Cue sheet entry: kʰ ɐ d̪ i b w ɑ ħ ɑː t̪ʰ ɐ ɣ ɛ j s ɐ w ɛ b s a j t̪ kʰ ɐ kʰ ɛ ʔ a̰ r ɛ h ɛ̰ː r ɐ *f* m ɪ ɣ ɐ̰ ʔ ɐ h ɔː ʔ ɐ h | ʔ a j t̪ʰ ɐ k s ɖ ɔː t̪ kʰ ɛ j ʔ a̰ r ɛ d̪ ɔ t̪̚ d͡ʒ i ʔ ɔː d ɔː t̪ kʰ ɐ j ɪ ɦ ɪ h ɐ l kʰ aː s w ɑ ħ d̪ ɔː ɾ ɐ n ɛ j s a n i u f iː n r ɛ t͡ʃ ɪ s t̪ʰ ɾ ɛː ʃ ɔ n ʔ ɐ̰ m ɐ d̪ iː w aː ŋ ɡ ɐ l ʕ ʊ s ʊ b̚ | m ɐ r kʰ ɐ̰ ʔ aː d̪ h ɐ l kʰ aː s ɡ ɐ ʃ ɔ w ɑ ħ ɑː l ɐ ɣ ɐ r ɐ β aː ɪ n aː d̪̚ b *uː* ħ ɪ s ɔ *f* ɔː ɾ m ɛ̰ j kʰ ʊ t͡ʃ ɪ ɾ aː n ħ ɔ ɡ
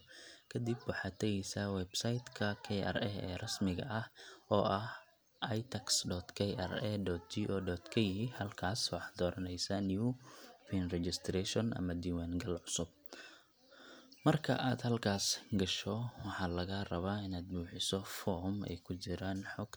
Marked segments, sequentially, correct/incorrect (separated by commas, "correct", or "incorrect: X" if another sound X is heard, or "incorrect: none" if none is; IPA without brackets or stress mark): incorrect: s, correct, correct